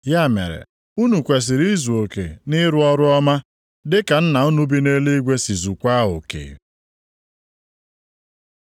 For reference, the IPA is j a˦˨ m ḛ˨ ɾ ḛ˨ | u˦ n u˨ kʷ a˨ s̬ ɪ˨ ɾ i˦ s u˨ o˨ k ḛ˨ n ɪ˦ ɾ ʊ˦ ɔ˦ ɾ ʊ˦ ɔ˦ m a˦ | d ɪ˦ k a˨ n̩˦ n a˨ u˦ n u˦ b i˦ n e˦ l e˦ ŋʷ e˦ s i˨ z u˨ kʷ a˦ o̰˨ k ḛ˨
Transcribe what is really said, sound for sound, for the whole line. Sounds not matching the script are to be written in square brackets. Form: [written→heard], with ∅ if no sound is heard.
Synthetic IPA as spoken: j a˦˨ m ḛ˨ ɾ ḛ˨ | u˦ n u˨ kʷ [a˨→e˨] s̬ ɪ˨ ɾ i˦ [s→z] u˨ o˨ k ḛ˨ n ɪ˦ ɾ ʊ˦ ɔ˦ ɾ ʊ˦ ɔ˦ m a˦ | d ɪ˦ k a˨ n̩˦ n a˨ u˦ n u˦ b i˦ n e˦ l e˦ [ŋʷ→ɡʷ] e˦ s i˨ z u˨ kʷ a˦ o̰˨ k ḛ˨